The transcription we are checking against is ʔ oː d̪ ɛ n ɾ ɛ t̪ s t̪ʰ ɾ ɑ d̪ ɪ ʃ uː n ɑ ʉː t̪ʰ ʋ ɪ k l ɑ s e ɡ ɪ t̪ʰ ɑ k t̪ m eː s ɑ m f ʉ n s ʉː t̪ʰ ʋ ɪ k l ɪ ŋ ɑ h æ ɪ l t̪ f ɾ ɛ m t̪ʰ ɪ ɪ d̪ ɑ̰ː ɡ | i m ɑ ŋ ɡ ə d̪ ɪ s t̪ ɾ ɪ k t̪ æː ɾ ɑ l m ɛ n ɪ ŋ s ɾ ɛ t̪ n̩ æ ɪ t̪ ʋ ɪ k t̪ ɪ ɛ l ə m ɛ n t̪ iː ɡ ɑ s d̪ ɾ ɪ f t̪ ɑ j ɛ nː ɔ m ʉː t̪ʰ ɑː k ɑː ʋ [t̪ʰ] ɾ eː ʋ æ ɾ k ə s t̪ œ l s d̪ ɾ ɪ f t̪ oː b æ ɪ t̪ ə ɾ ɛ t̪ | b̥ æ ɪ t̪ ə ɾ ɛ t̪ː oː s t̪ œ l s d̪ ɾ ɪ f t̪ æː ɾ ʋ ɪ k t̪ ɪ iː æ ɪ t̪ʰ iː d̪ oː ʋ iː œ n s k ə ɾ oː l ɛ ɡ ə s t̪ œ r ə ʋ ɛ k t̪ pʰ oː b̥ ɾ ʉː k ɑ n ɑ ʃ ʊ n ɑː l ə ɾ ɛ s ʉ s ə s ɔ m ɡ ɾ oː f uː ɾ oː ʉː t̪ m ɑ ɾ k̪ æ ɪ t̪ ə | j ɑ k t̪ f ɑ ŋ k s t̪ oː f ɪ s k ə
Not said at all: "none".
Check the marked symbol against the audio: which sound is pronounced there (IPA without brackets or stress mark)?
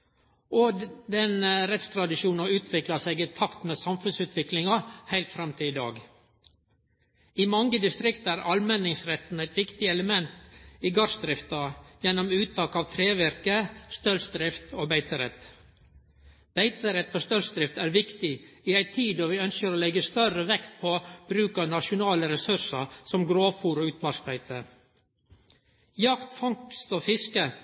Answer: t̪ʰ